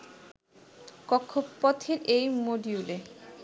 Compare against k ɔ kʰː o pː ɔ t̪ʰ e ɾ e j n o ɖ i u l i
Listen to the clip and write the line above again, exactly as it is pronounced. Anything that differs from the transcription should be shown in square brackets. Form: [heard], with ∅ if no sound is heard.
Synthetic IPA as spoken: k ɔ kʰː o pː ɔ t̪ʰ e ɾ e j [m] o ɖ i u l [e]